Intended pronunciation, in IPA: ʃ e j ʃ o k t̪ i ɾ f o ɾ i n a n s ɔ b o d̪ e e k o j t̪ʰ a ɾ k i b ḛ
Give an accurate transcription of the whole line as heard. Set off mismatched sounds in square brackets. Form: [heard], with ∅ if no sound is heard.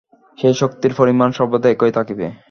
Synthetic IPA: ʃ e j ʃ o k t̪ i ɾ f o ɾ i [m] a n [ʃ] ɔ b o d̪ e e k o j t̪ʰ a [∅] k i b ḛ

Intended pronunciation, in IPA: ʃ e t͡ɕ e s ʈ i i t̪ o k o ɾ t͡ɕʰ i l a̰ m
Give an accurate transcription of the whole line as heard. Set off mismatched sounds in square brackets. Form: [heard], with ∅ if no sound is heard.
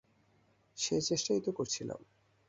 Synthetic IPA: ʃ e t͡ɕ e [ʃ] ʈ [a] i t̪ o k o ɾ t͡ɕʰ i l a̰ m

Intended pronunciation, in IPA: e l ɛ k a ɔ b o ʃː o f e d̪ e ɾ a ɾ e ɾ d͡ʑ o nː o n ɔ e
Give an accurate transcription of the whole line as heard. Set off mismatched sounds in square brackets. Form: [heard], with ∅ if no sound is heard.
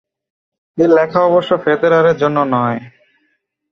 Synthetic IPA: e l ɛ [kʰ] a ɔ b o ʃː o f e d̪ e ɾ a ɾ e ɾ d͡ʑ o nː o n ɔ e

